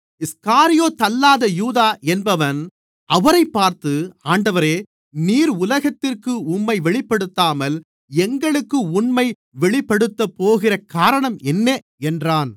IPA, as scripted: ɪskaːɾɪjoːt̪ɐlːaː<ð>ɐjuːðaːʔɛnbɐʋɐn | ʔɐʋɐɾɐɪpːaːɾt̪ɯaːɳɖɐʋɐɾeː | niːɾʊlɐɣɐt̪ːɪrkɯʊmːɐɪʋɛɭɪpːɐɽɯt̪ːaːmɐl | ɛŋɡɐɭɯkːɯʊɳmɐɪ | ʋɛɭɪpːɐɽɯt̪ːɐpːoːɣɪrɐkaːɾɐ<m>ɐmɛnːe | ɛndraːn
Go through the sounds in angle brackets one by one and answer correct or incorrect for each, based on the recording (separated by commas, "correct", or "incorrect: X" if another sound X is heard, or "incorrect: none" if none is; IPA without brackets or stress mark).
correct, incorrect: ɳ